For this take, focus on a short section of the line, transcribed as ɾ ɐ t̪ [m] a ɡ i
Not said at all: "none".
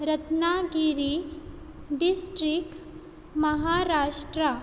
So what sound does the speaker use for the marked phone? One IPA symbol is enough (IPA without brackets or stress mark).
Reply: n